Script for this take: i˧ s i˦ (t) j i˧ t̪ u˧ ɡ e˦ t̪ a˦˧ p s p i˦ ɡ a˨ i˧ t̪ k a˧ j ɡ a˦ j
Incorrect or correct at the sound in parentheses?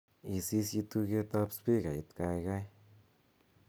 incorrect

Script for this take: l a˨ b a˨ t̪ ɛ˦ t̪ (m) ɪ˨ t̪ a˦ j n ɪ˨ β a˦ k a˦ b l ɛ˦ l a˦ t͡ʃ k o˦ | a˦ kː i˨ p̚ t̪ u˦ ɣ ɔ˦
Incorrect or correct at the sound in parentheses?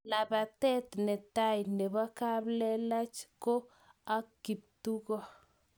incorrect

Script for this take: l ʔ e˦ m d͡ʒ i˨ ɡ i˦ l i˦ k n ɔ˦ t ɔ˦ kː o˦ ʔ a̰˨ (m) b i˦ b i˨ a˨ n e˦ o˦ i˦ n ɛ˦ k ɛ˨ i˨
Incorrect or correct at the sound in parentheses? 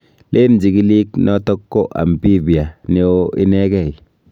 correct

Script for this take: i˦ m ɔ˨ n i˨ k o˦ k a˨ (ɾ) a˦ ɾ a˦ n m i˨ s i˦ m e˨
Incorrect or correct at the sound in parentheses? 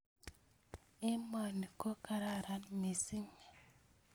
correct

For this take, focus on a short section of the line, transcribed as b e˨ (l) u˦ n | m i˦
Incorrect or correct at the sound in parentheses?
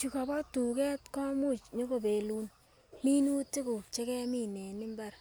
correct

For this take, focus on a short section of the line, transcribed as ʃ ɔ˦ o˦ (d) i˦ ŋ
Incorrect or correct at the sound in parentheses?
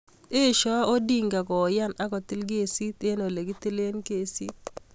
correct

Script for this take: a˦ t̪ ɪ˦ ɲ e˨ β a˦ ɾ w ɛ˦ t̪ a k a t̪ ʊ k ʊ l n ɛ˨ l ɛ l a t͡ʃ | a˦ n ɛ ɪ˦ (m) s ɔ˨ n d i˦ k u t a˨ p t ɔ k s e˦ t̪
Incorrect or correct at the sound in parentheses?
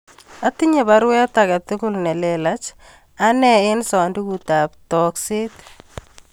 incorrect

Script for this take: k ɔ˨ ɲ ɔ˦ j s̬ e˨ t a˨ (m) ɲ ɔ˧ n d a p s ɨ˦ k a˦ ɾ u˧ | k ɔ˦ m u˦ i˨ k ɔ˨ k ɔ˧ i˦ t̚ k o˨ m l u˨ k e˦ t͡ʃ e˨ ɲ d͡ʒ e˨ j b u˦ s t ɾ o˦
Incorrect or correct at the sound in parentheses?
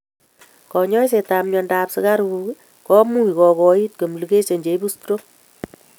correct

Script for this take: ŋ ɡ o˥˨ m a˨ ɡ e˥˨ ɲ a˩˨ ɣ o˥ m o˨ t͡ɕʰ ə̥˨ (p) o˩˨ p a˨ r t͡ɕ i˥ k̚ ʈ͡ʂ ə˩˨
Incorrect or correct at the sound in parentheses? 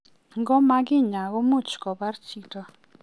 incorrect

